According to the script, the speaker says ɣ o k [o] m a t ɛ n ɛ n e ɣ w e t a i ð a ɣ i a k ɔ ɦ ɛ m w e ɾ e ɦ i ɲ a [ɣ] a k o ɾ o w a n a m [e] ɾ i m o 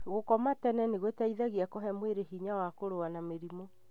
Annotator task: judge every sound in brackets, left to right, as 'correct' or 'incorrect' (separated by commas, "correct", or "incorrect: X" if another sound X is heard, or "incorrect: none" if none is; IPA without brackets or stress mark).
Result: incorrect: ɔ, incorrect: w, correct